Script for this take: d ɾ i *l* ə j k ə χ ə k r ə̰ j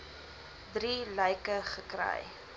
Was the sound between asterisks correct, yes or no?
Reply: yes